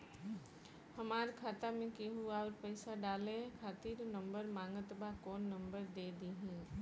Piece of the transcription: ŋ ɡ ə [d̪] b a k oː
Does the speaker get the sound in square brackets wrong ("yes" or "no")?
yes